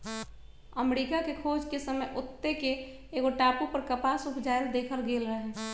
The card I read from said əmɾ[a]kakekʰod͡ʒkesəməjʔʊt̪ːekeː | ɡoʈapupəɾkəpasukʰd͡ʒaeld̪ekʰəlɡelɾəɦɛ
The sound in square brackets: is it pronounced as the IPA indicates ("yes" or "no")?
no